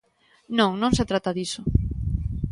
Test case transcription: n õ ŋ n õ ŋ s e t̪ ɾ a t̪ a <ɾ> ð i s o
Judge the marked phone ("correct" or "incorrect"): incorrect